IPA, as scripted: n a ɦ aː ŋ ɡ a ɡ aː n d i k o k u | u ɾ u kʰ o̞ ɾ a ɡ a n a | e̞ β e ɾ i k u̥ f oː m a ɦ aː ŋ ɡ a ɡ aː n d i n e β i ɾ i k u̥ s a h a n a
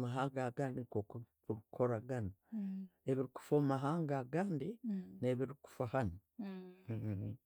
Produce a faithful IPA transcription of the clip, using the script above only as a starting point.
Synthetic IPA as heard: m a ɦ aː ŋ ɡ a ɡ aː n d i k o k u | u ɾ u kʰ o̞ ɾ a ɡ a n a | e̞ β i ɾ i k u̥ f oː m a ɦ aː ŋ ɡ a ɡ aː n d i n e β i ɾ i k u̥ f a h a n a